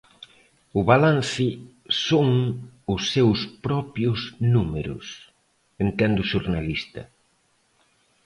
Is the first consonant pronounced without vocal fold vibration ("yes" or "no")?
no